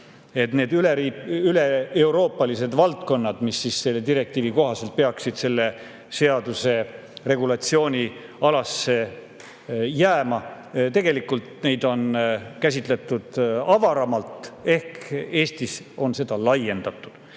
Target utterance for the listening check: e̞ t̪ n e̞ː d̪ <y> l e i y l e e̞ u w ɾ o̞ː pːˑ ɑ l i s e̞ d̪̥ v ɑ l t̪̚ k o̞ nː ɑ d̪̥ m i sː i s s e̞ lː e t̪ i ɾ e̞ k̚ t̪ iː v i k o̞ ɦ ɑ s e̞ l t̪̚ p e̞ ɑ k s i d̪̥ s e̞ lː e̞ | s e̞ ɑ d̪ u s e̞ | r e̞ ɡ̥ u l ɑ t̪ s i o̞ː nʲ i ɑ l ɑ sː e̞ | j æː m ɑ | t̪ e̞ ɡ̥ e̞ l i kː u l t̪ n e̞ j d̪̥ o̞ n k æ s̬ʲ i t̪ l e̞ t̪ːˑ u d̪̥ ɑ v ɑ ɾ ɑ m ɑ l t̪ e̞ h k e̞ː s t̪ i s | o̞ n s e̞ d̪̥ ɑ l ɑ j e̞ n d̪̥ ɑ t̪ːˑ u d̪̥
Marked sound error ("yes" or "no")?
no